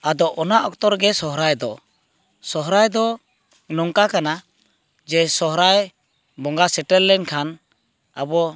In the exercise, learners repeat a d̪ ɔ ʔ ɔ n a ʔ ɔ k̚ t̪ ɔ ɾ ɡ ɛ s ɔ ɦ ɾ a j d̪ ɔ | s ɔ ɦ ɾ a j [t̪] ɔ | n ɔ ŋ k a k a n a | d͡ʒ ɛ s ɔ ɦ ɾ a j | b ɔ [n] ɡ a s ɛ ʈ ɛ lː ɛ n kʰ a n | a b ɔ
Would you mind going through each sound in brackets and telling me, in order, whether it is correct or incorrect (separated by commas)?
incorrect, incorrect